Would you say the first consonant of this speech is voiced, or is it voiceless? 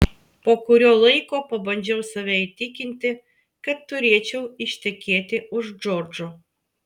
voiceless